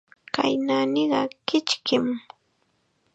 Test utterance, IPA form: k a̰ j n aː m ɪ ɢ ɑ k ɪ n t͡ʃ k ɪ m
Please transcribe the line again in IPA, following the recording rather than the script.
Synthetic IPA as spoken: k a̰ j n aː n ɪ ɢ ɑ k ɪ t͡ʃ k ɪ m